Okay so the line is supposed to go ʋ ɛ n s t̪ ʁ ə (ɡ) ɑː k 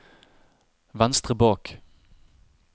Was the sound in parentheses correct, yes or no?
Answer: no